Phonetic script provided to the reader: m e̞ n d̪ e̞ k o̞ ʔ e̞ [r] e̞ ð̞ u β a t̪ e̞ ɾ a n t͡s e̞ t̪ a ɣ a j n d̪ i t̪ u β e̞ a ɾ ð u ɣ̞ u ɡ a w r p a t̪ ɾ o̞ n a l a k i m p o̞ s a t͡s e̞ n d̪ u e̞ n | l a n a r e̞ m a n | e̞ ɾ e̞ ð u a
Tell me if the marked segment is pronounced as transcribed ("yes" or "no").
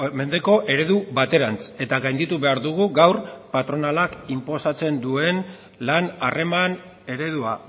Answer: no